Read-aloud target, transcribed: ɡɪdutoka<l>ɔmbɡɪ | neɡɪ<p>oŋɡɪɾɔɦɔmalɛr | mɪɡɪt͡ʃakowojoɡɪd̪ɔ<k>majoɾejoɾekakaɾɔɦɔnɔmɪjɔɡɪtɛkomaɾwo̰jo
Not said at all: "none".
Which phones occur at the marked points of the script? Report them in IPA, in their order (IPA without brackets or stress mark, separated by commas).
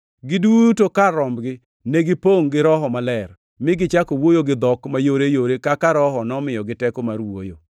ɾ, p, k